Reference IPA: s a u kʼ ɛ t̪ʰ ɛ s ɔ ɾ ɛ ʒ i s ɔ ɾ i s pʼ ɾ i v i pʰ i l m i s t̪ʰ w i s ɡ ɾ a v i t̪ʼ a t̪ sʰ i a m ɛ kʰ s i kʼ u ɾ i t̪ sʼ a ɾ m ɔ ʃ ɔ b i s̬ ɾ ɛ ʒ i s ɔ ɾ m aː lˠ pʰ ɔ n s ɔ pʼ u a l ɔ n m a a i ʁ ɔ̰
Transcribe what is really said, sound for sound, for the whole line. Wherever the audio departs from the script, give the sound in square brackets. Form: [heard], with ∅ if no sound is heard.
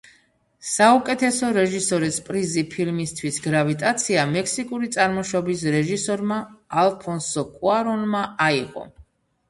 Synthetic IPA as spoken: s a u kʼ ɛ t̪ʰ ɛ s ɔ ɾ ɛ ʒ i s ɔ ɾ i s pʼ ɾ i [z] i pʰ i l m i s t̪ʰ w i s ɡ ɾ a v i t̪ʼ a t̪ sʰ i a m ɛ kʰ s i kʼ u ɾ i t̪ sʼ a ɾ m ɔ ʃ ɔ b i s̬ ɾ ɛ ʒ i s ɔ ɾ m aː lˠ pʰ ɔ n s ɔ [kʼ] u a [ɾ] ɔ n m a a i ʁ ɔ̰

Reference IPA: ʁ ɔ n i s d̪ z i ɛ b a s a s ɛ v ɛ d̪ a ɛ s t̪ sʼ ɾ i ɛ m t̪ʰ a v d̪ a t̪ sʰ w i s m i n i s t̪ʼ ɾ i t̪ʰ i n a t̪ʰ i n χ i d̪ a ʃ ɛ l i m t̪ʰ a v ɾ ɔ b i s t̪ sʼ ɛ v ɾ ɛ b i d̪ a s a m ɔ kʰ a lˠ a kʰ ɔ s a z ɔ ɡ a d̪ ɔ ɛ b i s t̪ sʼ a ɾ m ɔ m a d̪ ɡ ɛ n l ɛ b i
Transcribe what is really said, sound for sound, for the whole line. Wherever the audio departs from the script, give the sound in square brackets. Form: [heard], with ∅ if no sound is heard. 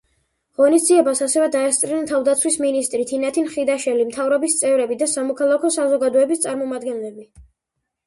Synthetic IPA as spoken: ʁ ɔ n i s d̪ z i ɛ b a s a s ɛ v ɛ d̪ a ɛ s t̪ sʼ ɾ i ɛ [n] t̪ʰ a v d̪ a t̪ sʰ w i s m i n i s t̪ʼ ɾ i t̪ʰ i n a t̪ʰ i n χ i d̪ a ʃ ɛ l i m t̪ʰ a v ɾ ɔ b i s t̪ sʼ ɛ v ɾ ɛ b i d̪ a s a m ɔ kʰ a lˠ a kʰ ɔ s a z ɔ ɡ a d̪ ɔ ɛ b i s t̪ sʼ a ɾ m ɔ m a d̪ ɡ ɛ n l ɛ b i

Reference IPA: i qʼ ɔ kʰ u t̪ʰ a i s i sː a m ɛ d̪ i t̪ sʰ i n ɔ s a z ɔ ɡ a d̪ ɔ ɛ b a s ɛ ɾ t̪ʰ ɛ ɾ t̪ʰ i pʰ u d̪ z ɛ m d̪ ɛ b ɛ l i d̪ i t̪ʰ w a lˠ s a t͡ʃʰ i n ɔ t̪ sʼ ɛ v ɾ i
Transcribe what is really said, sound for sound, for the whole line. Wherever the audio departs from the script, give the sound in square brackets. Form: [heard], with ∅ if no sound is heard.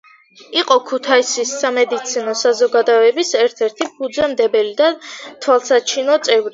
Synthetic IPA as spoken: i qʼ ɔ kʰ u t̪ʰ a i s i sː a m ɛ d̪ i t̪ sʰ i n ɔ s a z ɔ ɡ a d̪ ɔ ɛ b [i] s ɛ ɾ t̪ʰ ɛ ɾ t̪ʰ i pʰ u d̪ z ɛ m d̪ ɛ b ɛ l i d̪ [a] t̪ʰ w a lˠ s a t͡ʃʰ i n ɔ t̪ sʼ ɛ v ɾ i

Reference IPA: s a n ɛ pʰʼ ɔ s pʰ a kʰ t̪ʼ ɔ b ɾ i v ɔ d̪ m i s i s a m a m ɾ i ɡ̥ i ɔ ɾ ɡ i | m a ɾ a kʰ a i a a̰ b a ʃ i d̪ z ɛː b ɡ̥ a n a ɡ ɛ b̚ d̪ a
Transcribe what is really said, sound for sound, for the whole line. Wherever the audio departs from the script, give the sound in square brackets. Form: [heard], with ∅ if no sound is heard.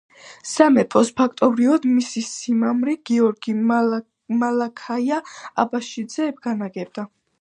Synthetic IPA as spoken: s a [m] ɛ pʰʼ ɔ s pʰ a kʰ t̪ʼ ɔ b ɾ i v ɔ d̪ m i s i s [i] m a m ɾ i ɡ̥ i ɔ ɾ ɡ i | m a [l] a kʰ a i a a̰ b a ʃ i d̪ z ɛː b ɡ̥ a n a ɡ ɛ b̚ d̪ a

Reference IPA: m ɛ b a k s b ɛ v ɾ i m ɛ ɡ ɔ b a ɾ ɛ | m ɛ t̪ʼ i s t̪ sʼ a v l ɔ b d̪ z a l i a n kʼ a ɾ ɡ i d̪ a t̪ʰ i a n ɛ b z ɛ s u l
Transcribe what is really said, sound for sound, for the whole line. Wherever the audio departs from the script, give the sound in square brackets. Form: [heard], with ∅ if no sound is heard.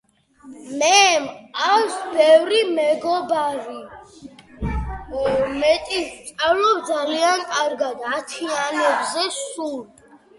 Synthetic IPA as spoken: m ɛ [m] a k s b ɛ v ɾ i m ɛ ɡ ɔ b a ɾ [i] | m ɛ t̪ʼ i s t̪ sʼ a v l ɔ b d̪ z a l i a n kʼ a ɾ ɡ [a] d̪ a t̪ʰ i a n ɛ b z ɛ s u l

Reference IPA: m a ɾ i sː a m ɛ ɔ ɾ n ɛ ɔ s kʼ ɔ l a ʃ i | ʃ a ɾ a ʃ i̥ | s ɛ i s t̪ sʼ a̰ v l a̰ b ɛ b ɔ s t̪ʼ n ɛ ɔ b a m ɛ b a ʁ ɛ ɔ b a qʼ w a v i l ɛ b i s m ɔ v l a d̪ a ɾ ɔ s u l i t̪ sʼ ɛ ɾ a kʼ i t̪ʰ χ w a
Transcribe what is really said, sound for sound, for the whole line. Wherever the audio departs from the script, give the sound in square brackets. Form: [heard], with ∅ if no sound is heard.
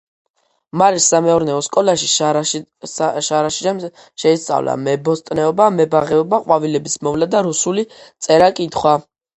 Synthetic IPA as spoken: m a ɾ i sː a m ɛ ɔ ɾ n ɛ ɔ s kʼ ɔ l a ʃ i | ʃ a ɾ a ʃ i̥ | [ʃ] ɛ i s t̪ sʼ a̰ v l a̰ [m] ɛ b ɔ s t̪ʼ n ɛ ɔ b a m ɛ b a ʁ ɛ ɔ b a qʼ w a v i l ɛ b i s m ɔ v l a d̪ a ɾ [u] s u l i t̪ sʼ ɛ ɾ a kʼ i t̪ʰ χ w a

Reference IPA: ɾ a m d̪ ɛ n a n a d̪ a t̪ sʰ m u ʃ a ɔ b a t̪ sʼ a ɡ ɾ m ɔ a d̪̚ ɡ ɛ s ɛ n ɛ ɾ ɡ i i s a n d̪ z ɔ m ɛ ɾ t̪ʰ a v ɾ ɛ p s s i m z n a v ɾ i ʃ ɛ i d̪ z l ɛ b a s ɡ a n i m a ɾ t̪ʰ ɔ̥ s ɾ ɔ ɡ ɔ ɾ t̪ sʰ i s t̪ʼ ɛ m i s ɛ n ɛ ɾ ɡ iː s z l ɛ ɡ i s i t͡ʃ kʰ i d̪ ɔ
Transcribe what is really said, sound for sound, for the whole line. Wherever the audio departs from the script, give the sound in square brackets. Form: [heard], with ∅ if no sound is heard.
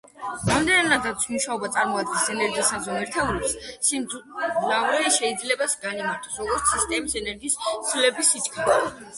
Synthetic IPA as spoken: ɾ a m d̪ ɛ n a n a d̪ a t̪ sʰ m u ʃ a ɔ b a t̪ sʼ a [∅] ɾ m ɔ a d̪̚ ɡ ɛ s ɛ n ɛ ɾ ɡ i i s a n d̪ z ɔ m ɛ ɾ t̪ʰ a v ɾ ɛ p s s i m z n a v ɾ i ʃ ɛ i d̪ z l ɛ b a s ɡ a n i m a ɾ t̪ʰ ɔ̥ s ɾ ɔ ɡ ɔ ɾ t̪ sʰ i s t̪ʼ ɛ m i s ɛ n ɛ ɾ ɡ iː s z l ɛ [b] i s i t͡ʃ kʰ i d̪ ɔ

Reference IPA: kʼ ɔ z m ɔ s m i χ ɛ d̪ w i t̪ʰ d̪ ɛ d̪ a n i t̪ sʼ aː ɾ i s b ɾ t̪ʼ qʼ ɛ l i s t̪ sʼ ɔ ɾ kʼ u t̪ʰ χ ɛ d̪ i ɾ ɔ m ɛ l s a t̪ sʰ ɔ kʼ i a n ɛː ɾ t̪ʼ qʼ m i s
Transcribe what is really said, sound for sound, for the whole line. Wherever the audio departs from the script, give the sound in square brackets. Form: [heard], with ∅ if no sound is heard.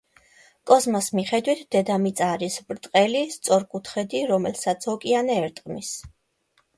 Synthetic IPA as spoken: kʼ ɔ z m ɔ s m i χ ɛ d̪ w i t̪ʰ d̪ ɛ d̪ a [m] i t̪ sʼ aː ɾ i s b ɾ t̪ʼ qʼ ɛ l i s t̪ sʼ ɔ ɾ kʼ u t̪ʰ χ ɛ d̪ i ɾ ɔ m ɛ l s a t̪ sʰ ɔ kʼ i a n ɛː ɾ t̪ʼ qʼ m i s

